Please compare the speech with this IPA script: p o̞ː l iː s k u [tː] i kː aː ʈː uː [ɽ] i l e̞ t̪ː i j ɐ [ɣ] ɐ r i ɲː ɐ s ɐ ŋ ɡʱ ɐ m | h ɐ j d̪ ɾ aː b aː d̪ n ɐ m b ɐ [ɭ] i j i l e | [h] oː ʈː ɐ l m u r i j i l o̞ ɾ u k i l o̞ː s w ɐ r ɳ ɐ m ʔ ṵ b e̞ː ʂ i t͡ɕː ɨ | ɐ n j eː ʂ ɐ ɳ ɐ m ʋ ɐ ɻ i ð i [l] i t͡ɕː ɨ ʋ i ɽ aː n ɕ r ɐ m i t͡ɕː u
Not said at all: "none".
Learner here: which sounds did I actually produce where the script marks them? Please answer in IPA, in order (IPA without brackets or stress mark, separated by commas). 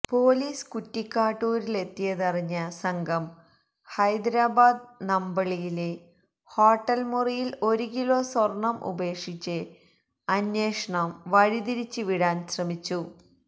tː, ɾ, ð, ɭ, h, ɾ